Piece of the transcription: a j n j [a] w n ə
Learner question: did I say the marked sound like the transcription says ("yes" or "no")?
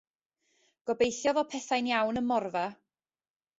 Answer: yes